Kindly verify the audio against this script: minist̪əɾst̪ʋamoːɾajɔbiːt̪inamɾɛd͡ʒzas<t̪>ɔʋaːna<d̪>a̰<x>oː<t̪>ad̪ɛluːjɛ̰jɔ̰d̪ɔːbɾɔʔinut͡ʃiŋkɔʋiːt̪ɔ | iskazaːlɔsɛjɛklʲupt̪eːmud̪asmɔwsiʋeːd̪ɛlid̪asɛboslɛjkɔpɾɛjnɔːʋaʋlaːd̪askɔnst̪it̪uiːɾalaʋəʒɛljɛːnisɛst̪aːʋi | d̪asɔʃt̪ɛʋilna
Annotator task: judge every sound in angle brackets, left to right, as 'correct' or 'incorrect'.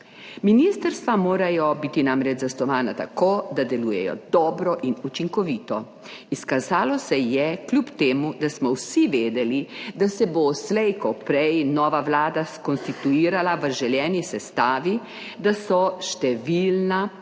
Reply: correct, incorrect, incorrect, incorrect

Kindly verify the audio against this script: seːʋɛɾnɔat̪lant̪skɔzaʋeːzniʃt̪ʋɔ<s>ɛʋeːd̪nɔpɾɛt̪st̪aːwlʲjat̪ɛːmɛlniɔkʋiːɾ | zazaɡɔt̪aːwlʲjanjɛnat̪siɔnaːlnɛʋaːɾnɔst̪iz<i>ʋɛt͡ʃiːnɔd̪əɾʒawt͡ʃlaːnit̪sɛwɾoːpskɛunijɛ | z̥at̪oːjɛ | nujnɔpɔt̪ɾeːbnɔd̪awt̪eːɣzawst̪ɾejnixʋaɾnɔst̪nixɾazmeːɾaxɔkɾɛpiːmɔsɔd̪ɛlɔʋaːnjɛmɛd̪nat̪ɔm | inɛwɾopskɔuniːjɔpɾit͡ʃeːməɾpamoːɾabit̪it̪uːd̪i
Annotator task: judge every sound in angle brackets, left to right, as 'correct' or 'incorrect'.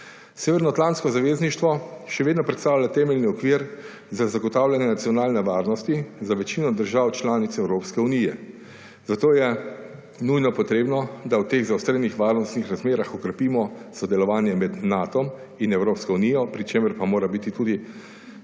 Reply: incorrect, incorrect

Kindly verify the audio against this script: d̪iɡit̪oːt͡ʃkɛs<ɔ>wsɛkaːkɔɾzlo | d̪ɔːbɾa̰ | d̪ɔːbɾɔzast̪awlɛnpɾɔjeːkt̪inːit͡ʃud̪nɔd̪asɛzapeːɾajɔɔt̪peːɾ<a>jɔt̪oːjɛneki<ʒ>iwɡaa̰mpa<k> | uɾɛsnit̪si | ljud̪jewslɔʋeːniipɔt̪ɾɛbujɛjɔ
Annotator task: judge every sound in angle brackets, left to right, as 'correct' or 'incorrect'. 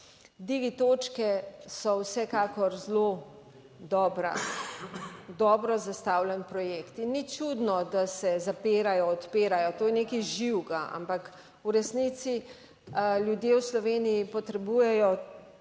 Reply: correct, correct, correct, correct

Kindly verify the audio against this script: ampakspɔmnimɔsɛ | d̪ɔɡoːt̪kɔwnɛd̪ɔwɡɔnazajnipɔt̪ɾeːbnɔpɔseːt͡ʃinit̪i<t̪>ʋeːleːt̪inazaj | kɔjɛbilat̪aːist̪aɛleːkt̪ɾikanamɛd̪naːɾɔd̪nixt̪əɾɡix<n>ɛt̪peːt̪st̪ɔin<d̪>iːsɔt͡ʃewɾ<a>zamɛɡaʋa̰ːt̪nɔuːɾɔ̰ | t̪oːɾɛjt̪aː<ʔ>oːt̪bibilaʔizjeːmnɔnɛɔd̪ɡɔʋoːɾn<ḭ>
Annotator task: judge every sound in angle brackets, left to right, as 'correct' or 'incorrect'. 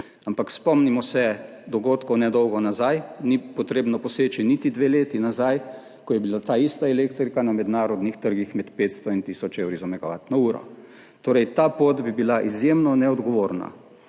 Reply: incorrect, incorrect, incorrect, incorrect, incorrect, incorrect

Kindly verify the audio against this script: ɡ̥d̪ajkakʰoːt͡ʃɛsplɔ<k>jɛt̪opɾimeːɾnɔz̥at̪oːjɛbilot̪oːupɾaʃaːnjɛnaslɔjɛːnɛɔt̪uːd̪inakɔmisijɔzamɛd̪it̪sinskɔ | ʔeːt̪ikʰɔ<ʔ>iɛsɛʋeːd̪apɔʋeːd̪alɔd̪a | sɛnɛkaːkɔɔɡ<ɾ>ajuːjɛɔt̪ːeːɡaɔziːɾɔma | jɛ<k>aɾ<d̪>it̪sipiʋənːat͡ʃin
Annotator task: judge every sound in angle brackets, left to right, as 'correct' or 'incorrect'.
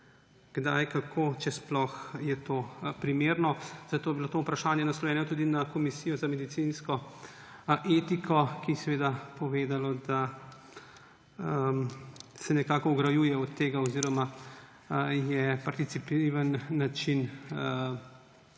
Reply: incorrect, incorrect, correct, incorrect, incorrect

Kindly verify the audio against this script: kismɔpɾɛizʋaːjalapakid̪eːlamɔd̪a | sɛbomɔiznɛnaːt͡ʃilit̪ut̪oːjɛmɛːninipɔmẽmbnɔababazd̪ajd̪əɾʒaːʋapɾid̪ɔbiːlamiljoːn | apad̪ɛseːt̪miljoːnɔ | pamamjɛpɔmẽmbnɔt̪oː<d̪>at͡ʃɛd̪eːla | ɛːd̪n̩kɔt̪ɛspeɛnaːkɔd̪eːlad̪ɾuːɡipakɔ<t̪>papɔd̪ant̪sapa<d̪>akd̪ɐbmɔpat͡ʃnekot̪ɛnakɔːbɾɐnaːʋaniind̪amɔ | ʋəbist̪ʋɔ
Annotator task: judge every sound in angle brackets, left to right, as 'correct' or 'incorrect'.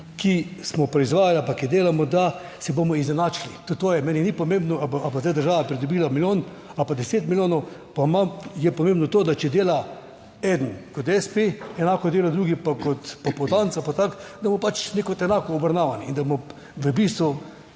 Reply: correct, correct, incorrect

